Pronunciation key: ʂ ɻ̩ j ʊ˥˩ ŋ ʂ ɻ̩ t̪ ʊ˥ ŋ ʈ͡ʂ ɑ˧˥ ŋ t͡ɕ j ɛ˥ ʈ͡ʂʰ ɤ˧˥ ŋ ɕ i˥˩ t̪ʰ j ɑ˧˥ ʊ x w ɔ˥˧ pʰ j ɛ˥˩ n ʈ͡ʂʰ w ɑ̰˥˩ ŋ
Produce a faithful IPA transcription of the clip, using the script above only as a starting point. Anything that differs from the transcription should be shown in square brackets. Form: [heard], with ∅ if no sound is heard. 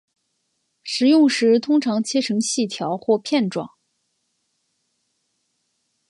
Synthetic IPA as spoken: ʂ ɻ̩ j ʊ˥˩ ŋ ʂ ɻ̩ [t̪ʰ] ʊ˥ ŋ [ʈ͡ʂʰ] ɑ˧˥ ŋ [t͡ɕʰ] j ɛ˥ ʈ͡ʂʰ ɤ˧˥ ŋ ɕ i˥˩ t̪ʰ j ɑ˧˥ ʊ x w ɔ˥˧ pʰ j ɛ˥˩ n [ʈ͡ʂ] w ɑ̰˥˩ ŋ